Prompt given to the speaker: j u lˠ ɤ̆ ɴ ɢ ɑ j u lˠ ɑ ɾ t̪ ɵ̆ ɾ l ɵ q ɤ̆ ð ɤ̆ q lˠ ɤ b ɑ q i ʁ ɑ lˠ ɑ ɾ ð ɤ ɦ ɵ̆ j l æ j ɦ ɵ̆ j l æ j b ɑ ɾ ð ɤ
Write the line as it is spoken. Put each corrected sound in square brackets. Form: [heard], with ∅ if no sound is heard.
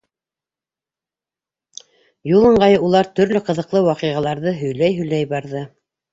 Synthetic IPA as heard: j u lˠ ɤ̆ ɴ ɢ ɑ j u lˠ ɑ ɾ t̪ ɵ̆ ɾ l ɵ q ɤ̆ ð ɤ̆ q lˠ ɤ [w] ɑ q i ʁ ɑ lˠ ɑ ɾ ð ɤ ɦ ɵ̆ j l æ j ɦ ɵ̆ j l æ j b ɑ ɾ ð ɤ

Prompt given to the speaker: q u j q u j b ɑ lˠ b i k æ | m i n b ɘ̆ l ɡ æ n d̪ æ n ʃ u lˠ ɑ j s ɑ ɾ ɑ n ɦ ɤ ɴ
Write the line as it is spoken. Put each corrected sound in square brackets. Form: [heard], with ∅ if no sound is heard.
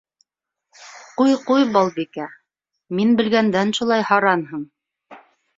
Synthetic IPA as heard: q u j q u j b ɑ lˠ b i k æ | m i n b ɘ̆ l ɡ æ n d̪ æ n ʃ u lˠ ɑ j [h] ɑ ɾ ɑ n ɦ ɤ ɴ

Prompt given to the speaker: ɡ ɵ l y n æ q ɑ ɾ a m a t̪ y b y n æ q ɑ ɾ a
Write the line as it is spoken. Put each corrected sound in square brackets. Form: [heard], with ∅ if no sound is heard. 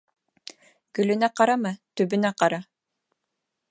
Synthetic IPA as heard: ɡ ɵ l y n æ q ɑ ɾ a m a t̪ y b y n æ q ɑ ɾ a

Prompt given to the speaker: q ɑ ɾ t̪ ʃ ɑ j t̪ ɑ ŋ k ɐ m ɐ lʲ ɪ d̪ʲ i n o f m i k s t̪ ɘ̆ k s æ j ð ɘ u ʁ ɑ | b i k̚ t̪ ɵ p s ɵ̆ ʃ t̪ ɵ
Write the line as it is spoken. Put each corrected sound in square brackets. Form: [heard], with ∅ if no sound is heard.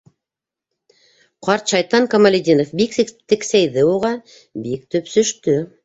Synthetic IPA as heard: q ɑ ɾ t̪ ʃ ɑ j t̪ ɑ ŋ k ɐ m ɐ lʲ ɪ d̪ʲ i n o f [b] i k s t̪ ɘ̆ k s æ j ð ɘ u ʁ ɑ | b i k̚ t̪ ɵ p s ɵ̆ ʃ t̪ ɵ

